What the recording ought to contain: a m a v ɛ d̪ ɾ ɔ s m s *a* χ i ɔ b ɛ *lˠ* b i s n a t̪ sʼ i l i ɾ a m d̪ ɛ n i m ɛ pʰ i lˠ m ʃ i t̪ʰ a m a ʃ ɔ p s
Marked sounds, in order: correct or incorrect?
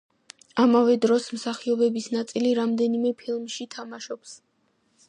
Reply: correct, incorrect

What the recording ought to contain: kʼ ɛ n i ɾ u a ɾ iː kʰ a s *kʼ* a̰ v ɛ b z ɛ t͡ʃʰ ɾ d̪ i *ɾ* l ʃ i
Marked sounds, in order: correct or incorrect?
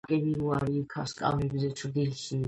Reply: correct, incorrect

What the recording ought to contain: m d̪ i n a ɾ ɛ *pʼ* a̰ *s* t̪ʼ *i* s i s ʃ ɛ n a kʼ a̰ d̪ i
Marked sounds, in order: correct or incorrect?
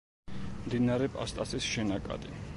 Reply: correct, correct, incorrect

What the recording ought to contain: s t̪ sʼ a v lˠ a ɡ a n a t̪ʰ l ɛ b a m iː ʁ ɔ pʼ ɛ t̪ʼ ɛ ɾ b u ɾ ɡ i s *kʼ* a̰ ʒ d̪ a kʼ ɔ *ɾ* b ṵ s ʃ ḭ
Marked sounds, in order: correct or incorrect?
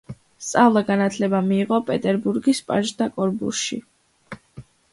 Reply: incorrect, correct

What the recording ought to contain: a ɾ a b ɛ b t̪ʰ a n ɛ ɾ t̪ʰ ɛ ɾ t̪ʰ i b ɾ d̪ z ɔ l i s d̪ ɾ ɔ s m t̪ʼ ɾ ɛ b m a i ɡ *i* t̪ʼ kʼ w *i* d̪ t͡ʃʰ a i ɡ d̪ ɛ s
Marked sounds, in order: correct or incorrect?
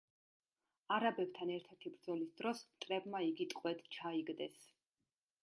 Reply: correct, incorrect

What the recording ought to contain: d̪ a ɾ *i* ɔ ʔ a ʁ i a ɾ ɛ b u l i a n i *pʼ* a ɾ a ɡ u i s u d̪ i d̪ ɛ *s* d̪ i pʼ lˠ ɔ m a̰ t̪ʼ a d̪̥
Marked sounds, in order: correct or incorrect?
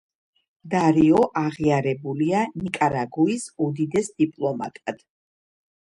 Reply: correct, incorrect, correct

